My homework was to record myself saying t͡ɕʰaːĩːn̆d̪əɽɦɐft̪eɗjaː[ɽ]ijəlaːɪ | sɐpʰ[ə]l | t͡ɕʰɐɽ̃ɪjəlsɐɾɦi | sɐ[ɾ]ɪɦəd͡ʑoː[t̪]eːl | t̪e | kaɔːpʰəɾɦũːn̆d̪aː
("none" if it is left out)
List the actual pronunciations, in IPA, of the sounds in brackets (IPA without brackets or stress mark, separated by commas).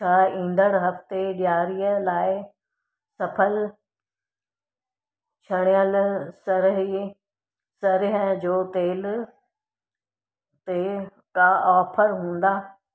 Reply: ɾ, ə, ɾ, t̪